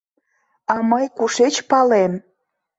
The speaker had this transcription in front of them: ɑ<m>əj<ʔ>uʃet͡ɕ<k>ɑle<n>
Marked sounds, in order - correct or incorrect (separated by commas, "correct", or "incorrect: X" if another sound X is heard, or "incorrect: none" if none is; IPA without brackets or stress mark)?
correct, incorrect: k, incorrect: p, incorrect: m